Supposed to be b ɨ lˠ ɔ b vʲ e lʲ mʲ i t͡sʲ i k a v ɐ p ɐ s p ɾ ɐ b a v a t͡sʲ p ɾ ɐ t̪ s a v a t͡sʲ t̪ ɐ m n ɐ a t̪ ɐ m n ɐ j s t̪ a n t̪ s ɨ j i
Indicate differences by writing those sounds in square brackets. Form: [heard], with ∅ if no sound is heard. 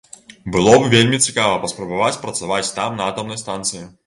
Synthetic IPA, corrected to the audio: b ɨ lˠ ɔ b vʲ e lʲ mʲ i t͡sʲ i k a v ɐ p ɐ s p ɾ ɐ b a v a t͡sʲ p ɾ ɐ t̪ s a v a t͡sʲ t̪ [a] m n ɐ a t̪ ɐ m n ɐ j s t̪ a n t̪ s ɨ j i